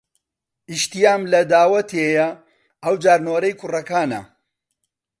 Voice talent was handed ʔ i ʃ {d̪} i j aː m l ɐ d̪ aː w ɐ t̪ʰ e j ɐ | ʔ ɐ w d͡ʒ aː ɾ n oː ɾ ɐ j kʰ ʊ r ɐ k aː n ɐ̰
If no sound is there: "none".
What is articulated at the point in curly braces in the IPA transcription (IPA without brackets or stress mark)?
t̪